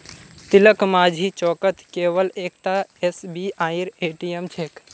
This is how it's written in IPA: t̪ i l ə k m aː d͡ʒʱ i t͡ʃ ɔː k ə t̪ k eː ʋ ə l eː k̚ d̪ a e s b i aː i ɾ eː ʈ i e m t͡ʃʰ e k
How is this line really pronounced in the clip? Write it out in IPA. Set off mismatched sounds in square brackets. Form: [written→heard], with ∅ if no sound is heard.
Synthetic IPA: t̪ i l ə k m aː d͡ʒʱ i t͡ʃ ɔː k ə t̪ k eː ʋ ə l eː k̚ [d̪→t̪] a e s b i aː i ɾ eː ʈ i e m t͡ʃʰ e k